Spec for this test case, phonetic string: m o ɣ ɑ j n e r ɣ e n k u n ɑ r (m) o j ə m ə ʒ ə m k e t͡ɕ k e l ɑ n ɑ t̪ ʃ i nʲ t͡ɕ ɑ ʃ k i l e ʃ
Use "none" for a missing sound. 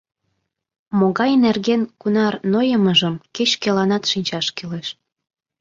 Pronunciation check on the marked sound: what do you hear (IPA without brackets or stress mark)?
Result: n